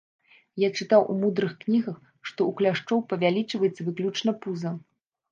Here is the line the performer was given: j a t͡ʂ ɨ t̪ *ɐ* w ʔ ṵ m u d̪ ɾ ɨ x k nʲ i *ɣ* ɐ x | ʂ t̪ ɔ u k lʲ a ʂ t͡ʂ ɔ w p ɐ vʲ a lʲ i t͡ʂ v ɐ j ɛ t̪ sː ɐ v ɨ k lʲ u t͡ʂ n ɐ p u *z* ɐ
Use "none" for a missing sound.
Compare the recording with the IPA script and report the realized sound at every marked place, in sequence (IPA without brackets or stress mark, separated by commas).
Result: a, ɣ, z